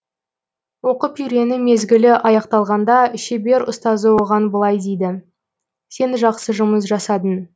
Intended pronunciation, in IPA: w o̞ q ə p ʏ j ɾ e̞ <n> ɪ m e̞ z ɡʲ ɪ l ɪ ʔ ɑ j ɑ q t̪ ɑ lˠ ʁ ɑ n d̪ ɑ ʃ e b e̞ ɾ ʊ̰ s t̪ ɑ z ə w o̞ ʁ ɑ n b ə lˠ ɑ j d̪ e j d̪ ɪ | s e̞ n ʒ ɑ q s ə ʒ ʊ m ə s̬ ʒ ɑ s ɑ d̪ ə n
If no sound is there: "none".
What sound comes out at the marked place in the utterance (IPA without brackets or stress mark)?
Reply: n